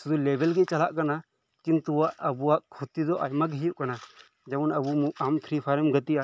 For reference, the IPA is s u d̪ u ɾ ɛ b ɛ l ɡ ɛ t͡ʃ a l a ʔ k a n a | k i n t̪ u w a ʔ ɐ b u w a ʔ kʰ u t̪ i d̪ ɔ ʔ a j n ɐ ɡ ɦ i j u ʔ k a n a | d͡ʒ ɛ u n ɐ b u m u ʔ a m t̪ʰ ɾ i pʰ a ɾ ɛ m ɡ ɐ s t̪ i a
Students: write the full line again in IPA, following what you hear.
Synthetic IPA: s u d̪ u l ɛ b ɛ l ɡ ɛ t͡ʃ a l a ʔ k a n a | k i n t̪ u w a ʔ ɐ b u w a ʔ kʰ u t̪ i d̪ ɔ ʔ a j m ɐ ɡ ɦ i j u ʔ k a n a | d͡ʒ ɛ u n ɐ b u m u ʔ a m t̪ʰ ɾ i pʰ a ɾ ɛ m ɡ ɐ t̪ i a